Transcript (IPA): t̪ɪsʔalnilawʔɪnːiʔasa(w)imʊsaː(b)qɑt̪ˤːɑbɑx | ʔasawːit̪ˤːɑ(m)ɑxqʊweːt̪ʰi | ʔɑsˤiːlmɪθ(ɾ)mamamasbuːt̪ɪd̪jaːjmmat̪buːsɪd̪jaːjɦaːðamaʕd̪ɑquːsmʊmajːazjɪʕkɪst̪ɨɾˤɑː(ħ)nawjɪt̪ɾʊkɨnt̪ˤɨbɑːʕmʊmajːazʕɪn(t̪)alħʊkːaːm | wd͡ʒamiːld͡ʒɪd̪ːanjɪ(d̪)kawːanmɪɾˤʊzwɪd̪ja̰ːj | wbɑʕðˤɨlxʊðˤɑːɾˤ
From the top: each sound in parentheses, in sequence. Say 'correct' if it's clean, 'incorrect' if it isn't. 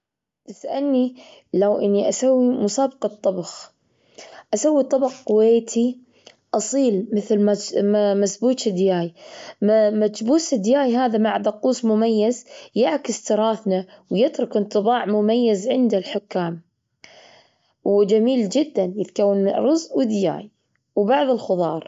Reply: incorrect, correct, incorrect, incorrect, incorrect, incorrect, incorrect

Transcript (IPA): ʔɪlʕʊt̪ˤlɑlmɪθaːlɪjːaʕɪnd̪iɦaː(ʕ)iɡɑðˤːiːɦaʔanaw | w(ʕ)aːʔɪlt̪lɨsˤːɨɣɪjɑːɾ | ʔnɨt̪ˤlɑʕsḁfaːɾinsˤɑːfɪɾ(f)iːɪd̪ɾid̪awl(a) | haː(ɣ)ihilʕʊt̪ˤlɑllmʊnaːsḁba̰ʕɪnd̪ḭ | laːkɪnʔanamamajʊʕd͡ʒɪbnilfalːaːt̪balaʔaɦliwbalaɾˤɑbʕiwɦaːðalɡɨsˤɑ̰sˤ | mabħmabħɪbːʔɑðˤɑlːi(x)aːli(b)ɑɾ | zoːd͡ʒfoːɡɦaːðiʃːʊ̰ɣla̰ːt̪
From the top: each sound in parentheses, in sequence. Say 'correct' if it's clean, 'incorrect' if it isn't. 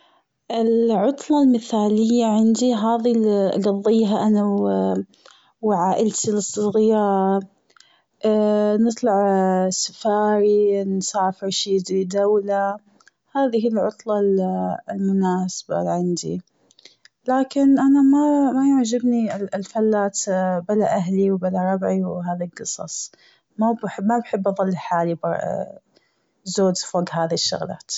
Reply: incorrect, correct, incorrect, correct, incorrect, incorrect, correct

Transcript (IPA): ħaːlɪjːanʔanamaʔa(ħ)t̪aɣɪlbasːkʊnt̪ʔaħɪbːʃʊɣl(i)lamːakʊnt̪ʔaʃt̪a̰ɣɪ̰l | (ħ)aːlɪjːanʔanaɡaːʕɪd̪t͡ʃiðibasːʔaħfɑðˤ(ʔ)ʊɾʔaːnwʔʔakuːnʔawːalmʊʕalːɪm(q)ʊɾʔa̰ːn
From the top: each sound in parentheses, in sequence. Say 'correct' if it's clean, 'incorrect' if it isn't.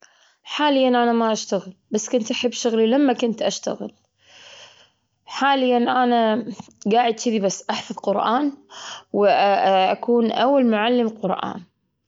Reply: incorrect, correct, correct, incorrect, correct

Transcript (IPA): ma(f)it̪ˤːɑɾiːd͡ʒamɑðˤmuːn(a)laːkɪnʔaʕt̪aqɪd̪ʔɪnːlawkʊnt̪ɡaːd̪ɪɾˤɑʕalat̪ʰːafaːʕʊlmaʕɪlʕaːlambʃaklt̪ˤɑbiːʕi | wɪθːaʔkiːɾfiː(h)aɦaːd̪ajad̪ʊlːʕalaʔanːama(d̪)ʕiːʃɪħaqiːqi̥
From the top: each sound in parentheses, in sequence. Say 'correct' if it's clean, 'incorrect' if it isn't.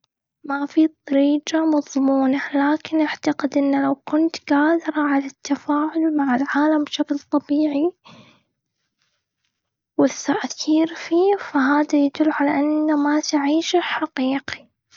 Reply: correct, correct, incorrect, incorrect

